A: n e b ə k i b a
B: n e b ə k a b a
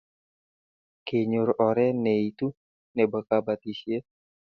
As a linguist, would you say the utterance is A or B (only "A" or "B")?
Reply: B